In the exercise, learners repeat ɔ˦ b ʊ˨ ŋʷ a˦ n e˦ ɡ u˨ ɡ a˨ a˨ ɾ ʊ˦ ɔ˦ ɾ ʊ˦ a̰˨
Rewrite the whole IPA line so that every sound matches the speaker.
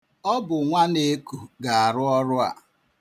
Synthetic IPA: ɔ˦ b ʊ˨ ŋʷ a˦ n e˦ k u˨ ɡ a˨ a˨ ɾ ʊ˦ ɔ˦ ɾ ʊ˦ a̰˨